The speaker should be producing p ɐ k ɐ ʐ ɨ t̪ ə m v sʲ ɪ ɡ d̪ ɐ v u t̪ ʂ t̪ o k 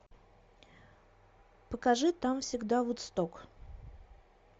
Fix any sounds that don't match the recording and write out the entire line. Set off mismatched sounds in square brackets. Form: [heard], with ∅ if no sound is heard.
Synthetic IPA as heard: p [ə] k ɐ ʐ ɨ t̪ [a] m [f] sʲ ɪ ɡ d̪ [a] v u t̪ [s] t̪ o k